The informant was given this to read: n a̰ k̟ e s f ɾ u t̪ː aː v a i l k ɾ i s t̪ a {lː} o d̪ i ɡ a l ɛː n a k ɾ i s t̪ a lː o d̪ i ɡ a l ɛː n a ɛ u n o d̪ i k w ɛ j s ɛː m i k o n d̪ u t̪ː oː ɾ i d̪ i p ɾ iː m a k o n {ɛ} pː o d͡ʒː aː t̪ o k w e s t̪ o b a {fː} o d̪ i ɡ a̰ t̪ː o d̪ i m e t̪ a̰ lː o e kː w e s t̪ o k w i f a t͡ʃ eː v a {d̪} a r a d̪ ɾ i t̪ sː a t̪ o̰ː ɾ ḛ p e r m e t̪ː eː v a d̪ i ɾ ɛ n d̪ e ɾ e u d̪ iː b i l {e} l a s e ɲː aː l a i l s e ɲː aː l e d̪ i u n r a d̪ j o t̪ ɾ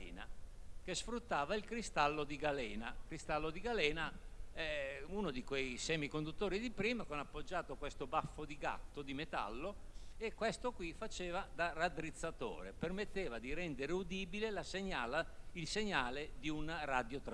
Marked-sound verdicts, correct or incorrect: correct, incorrect, correct, correct, correct

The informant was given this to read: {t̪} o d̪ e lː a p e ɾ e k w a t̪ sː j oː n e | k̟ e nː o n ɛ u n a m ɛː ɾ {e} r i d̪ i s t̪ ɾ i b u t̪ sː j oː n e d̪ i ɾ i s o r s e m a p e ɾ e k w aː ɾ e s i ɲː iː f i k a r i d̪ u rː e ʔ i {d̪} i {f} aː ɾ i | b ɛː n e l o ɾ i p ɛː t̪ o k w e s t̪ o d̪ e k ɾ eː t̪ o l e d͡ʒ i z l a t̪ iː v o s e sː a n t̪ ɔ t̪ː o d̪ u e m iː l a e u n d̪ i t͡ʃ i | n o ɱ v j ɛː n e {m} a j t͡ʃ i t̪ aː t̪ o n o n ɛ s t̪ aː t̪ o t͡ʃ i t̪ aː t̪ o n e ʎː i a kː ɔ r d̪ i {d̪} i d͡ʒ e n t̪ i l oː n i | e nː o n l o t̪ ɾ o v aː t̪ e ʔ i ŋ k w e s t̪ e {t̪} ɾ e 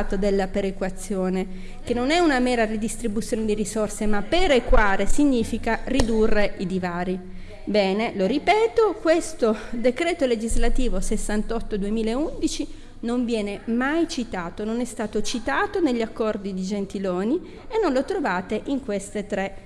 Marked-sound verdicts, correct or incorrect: correct, incorrect, correct, incorrect, correct, correct, correct

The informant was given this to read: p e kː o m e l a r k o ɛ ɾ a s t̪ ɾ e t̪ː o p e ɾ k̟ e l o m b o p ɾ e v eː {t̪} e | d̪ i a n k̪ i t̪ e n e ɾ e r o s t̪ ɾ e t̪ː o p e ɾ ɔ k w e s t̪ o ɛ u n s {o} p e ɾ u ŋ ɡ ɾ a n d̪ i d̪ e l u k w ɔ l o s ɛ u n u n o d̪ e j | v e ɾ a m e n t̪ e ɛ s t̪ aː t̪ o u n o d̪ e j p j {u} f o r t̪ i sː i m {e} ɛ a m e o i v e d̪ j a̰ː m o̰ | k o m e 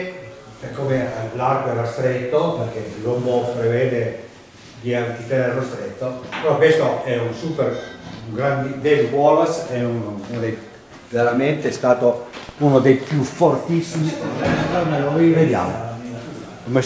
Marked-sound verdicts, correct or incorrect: incorrect, incorrect, correct, incorrect

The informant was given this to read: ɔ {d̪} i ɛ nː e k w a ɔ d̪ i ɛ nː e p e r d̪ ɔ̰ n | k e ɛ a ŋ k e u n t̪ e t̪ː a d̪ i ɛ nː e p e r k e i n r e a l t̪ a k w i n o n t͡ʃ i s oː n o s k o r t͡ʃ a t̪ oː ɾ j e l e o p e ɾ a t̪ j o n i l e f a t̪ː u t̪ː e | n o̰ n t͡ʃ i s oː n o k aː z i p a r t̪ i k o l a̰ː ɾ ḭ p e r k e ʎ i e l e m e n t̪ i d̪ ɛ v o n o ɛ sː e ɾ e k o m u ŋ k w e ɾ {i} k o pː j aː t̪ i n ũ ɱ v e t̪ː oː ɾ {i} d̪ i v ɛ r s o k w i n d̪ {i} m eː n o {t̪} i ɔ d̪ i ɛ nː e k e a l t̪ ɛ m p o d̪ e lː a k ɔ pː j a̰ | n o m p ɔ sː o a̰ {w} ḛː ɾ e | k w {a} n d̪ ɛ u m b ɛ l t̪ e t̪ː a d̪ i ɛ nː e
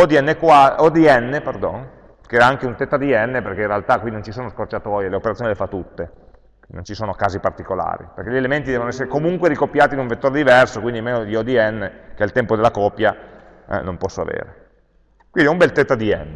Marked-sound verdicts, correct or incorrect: correct, correct, incorrect, correct, incorrect, incorrect, incorrect

